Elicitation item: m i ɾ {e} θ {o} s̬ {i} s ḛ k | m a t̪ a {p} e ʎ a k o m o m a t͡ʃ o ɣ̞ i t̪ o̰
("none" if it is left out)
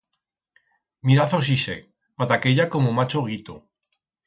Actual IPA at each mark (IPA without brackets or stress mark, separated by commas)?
a, o, i, k